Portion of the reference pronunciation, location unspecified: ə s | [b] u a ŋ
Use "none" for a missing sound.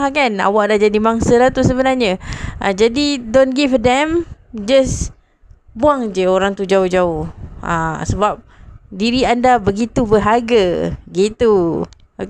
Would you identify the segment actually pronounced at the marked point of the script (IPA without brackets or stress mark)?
b